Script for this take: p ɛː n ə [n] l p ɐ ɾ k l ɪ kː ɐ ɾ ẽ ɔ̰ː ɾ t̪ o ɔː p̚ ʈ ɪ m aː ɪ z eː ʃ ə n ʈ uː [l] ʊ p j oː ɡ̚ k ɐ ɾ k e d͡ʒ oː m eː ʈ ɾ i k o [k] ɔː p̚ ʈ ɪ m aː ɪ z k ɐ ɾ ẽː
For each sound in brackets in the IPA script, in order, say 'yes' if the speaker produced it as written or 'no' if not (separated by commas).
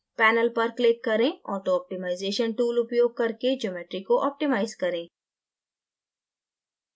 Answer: no, yes, no